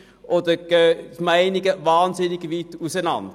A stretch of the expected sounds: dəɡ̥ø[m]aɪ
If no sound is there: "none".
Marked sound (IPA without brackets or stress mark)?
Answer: m